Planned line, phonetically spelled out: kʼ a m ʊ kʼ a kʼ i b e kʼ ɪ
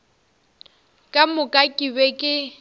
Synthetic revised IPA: kʼ a m ʊ kʼ a kʼ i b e kʼ ɪ